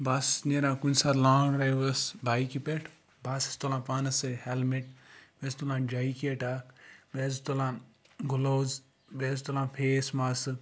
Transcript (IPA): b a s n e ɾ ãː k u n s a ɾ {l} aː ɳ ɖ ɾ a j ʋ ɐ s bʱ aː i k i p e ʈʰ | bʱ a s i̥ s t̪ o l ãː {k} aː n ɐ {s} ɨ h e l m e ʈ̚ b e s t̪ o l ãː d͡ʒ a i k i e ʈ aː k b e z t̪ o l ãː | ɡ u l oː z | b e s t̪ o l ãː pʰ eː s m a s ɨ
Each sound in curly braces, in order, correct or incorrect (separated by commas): correct, incorrect, correct